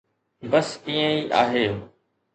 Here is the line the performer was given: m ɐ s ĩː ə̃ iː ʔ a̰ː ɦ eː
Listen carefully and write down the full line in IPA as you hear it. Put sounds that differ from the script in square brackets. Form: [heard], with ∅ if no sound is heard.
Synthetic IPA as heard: [b] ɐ s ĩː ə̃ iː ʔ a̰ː ɦ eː